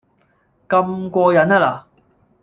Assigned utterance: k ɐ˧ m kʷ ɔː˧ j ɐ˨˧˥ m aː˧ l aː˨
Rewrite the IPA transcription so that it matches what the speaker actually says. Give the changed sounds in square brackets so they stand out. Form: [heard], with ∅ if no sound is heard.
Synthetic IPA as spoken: k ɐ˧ m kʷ ɔː˧ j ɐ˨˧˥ [n] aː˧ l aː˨